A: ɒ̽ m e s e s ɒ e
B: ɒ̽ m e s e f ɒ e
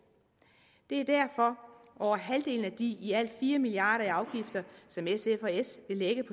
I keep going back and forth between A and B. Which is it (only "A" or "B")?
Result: B